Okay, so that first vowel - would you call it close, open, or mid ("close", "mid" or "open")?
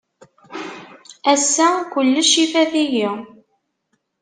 open